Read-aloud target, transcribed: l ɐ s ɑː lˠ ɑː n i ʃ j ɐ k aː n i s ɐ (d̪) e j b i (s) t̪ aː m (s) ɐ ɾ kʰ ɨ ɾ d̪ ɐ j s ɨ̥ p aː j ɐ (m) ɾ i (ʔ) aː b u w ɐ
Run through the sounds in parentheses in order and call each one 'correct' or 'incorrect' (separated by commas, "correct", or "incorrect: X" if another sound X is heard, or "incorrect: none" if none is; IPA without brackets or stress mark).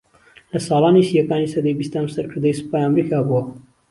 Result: correct, correct, correct, correct, incorrect: k